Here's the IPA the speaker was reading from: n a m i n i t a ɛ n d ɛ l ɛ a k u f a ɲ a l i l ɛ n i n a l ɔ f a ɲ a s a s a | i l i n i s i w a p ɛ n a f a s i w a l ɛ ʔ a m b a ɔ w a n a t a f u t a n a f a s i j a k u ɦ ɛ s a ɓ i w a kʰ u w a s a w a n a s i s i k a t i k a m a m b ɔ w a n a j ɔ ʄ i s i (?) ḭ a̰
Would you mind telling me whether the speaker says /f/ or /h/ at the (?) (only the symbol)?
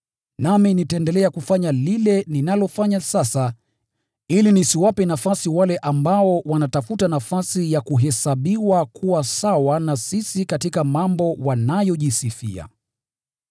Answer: f